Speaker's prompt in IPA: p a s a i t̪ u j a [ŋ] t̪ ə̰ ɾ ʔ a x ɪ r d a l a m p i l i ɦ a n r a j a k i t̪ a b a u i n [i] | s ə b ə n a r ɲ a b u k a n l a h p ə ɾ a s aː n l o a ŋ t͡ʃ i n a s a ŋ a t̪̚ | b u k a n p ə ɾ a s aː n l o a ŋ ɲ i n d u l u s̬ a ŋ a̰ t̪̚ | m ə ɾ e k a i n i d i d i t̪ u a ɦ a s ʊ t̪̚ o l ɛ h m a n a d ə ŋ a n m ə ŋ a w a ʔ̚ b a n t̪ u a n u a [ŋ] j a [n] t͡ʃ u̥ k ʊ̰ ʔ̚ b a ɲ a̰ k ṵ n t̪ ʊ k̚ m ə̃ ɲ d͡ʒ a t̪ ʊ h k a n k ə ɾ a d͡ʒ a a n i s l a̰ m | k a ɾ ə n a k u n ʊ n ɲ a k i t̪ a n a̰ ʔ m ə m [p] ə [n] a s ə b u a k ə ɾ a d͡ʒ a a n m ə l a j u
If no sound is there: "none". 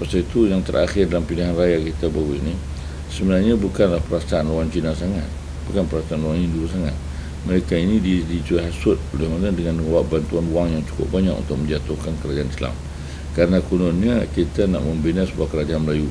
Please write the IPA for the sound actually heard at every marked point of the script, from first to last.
ŋ, i, ŋ, ŋ, b, n

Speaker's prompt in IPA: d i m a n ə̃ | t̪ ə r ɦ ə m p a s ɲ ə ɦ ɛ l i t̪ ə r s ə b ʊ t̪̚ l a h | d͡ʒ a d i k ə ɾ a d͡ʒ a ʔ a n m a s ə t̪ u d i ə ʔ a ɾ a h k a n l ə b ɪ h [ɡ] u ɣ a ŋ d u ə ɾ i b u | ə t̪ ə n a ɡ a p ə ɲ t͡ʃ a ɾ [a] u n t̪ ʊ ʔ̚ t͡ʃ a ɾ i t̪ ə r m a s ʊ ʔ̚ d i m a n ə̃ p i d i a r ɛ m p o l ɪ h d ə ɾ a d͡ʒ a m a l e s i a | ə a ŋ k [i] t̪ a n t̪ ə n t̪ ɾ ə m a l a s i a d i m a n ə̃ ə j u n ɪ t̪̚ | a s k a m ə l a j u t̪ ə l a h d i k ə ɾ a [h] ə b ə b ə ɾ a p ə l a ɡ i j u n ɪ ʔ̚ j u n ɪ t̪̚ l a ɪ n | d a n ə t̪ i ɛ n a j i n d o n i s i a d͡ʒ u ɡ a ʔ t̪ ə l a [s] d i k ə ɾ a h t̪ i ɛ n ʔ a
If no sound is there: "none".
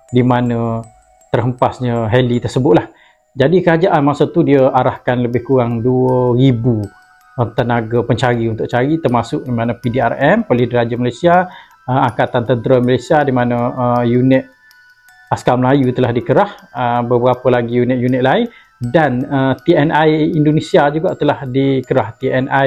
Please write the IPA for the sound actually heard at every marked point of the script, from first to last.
k, i, a, h, h

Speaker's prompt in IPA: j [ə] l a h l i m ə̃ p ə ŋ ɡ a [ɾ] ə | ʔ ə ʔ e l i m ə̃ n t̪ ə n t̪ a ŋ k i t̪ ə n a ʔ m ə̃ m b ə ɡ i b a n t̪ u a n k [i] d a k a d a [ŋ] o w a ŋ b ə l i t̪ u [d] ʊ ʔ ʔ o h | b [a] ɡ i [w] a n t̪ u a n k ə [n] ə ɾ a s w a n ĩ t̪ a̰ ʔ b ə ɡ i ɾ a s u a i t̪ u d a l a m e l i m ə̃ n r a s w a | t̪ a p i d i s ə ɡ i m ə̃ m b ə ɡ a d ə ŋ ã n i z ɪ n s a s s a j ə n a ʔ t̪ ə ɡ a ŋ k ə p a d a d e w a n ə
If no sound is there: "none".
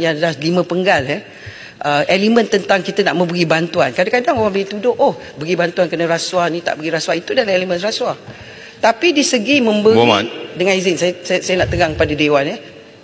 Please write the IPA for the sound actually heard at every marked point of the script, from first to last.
a, l, a, ŋ, d, ə, b, n

